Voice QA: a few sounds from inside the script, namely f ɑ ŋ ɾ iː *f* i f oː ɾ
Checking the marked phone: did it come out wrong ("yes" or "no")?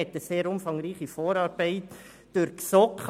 yes